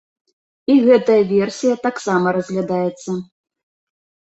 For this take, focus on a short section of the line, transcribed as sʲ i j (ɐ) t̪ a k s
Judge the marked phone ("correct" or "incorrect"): correct